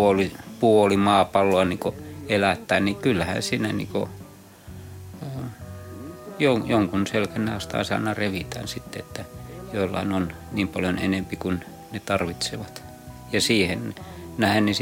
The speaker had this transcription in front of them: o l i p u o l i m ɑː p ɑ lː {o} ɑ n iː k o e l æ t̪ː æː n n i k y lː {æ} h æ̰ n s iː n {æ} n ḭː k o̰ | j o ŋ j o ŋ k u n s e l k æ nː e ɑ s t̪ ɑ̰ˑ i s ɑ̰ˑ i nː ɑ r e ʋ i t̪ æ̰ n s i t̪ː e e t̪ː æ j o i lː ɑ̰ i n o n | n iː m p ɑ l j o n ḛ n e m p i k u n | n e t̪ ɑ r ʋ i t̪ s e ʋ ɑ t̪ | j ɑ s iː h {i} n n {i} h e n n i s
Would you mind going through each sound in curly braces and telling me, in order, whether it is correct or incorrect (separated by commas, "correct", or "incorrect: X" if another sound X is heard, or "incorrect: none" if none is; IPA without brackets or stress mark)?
correct, correct, correct, incorrect: e, incorrect: æ